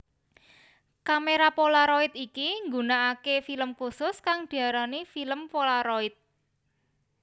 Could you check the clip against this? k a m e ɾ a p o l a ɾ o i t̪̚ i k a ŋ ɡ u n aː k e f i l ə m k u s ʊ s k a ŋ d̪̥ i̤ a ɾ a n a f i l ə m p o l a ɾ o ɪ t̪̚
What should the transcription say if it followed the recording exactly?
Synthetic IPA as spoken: k a m e ɾ a p o l a ɾ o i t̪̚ i k i ŋ ɡ u n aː k e f i l ə m k u s ʊ s k a ŋ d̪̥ i̤ a ɾ a n i f i l ə m p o l a ɾ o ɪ t̪̚